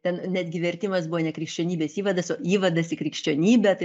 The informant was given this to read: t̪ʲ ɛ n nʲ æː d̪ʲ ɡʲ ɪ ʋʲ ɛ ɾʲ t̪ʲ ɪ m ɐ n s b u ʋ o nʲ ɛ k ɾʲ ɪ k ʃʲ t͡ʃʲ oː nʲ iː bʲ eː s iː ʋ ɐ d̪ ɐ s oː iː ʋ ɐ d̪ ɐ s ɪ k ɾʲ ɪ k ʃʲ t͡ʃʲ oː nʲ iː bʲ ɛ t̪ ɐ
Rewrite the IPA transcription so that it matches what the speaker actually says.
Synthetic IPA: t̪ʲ ɛ n nʲ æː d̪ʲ ɡʲ ɪ ʋʲ ɛ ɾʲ t̪ʲ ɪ m ɐ s b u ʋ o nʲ ɛ k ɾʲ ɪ k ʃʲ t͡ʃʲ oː nʲ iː bʲ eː s iː ʋ ɐ d̪ ɐ s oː iː ʋ ɐ d̪ ɐ s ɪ k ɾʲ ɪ k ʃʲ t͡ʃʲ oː nʲ iː bʲ ɛ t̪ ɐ